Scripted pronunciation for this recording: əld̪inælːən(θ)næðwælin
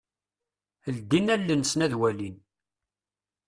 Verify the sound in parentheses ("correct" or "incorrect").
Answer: incorrect